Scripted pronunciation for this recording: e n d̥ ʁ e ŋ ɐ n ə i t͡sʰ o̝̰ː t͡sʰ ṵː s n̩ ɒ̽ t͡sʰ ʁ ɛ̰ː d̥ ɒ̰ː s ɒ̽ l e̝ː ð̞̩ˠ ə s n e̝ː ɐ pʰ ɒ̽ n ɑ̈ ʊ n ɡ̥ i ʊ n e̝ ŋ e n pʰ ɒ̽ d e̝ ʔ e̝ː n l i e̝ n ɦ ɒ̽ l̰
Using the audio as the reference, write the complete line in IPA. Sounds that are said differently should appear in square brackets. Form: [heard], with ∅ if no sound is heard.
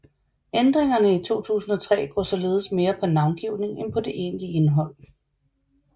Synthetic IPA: e n d̥ ʁ e ŋ ɐ n ə i t͡sʰ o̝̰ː t͡sʰ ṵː s n̩ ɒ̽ t͡sʰ ʁ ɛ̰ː [ɡ̥] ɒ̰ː s ɒ̽ l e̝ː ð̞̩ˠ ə s [m] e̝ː ɐ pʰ ɒ̽ n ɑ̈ ʊ n ɡ̥ i ʊ n e̝ ŋ e n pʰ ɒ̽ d e̝ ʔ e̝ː n l i e̝ n ɦ ɒ̽ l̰